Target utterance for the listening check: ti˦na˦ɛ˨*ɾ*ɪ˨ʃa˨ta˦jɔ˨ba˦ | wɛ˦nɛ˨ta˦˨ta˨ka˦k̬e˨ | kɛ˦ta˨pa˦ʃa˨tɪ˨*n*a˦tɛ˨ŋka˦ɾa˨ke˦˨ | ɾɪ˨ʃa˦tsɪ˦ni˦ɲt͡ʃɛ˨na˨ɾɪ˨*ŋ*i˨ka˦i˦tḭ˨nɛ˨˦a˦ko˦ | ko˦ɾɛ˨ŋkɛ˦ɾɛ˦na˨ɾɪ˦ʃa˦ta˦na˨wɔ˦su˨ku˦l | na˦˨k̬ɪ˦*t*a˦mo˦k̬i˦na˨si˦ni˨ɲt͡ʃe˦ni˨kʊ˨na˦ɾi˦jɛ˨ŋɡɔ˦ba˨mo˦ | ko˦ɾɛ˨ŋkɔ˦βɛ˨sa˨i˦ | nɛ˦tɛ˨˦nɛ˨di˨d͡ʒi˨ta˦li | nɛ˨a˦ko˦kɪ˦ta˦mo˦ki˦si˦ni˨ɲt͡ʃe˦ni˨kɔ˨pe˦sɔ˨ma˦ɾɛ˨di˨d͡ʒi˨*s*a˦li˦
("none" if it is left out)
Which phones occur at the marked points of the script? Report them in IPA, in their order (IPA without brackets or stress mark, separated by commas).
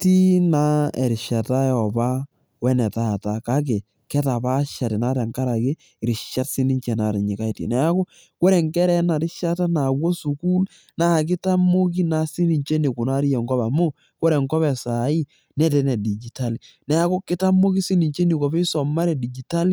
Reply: ɾ, n, ɲ, t, t